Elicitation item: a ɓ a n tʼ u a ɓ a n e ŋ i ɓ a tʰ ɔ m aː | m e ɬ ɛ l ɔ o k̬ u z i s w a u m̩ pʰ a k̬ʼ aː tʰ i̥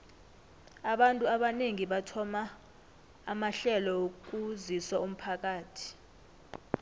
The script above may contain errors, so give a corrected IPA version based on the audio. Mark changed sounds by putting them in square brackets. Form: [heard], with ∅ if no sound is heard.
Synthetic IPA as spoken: a ɓ a n tʼ u a ɓ a n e ŋ i ɓ a tʰ ɔ m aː | m [a] ɬ ɛ l ɔ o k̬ u z i s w a u m̩ pʰ a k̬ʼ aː tʰ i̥